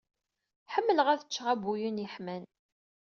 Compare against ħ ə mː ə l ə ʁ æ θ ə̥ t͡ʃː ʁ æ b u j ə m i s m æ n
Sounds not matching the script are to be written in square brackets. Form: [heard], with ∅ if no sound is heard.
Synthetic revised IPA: ħ ə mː ə l ə ʁ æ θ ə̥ t͡ʃː ʁ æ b u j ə [n] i [ħ] m æ n